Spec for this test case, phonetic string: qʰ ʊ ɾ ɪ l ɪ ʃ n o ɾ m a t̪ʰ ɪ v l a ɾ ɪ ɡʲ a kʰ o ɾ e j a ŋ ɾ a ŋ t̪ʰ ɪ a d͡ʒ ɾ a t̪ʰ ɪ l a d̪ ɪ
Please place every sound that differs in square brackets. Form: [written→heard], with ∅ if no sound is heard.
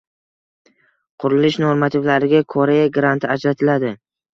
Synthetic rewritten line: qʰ ʊ ɾ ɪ l ɪ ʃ n o ɾ m a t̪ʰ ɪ v l a ɾ ɪ ɡʲ a kʰ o ɾ e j a [ŋ→ɡ] ɾ a [ŋ→n] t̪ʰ ɪ a d͡ʒ ɾ a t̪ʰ ɪ l a d̪ ɪ